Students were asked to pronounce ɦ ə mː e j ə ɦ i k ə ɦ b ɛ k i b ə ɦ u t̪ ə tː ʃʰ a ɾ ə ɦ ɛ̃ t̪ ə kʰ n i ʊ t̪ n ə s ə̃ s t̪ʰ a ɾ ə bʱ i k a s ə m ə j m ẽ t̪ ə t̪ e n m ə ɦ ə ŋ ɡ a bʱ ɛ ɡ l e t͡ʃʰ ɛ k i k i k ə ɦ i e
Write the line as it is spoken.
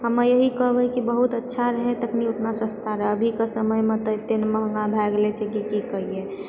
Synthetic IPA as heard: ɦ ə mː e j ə ɦ i k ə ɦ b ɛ k i b ə ɦ u t̪ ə tː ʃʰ a ɾ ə ɦ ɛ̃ t̪ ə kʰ n i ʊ t̪ n a s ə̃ s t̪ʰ a ɾ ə bʱ i k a s ə m ə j m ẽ t̪ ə t̪ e n m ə ɦ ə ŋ ɡ a bʱ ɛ ɡ l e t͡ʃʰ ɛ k i k i k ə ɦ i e

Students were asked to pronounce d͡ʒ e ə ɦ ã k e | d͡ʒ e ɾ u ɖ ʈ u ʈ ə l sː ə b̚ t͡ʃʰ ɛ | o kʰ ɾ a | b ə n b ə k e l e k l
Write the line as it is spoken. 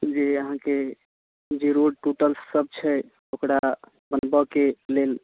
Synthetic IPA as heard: d͡ʒ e ə ɦ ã k e | d͡ʒ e ɾ o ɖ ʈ u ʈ ə l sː ə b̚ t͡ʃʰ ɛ | o k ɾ a | b ə n b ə k e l e l

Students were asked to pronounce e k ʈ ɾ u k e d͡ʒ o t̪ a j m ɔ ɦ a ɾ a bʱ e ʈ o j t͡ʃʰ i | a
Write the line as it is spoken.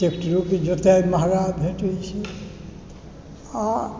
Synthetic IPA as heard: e k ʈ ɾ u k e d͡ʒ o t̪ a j m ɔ ɦ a ɾ a bʱ e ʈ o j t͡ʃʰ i | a

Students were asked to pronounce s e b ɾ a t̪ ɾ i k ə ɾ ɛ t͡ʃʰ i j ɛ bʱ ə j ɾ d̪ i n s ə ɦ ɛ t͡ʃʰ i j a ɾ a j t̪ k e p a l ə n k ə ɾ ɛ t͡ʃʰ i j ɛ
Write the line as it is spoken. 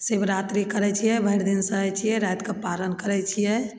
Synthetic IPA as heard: s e b ɾ a t̪ ɾ i k ə ɾ ɛ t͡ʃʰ i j ɛ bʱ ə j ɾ d̪ i n s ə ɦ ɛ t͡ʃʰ i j ɛ ɾ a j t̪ k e p a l ə n k ə ɾ ɛ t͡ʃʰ i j ɛ

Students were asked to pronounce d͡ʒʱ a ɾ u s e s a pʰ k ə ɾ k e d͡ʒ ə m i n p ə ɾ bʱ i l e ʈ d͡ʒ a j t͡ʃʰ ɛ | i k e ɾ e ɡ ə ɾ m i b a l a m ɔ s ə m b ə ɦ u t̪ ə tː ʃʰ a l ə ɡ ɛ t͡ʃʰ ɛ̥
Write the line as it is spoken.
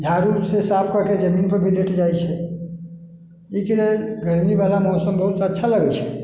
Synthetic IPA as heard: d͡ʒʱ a ɾ u s e s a pʰ k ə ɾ k e d͡ʒ ə m i n p ə ɾ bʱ i l e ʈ d͡ʒ a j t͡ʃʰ ɛ | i k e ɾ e ɡ ə ɾ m i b a l a m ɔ s ə m b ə ɦ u t̪ ə tː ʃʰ a l ə ɡ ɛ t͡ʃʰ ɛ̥

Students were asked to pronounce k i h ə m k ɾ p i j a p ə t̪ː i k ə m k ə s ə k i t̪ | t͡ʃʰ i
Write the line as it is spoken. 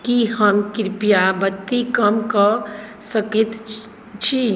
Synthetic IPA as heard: k i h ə m k ɾ p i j a b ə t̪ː i k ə m k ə s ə k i t̪ | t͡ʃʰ i

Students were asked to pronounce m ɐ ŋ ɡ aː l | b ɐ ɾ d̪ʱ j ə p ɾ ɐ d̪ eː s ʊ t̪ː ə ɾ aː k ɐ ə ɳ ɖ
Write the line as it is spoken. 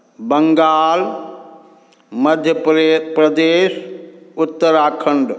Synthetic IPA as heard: b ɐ ŋ ɡ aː l | m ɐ d̪ʱ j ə p ɾ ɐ d̪ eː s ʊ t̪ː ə ɾ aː kʰ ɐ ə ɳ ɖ

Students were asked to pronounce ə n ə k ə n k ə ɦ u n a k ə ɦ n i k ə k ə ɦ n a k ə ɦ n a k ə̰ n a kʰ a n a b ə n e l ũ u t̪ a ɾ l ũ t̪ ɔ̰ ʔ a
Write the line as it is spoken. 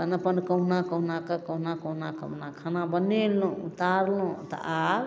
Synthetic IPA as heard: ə n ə p ə n k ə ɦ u n a k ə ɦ n a k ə k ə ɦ n a k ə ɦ n a k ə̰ n a kʰ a n a b ə n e l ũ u t̪ a ɾ l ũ t̪ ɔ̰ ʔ a

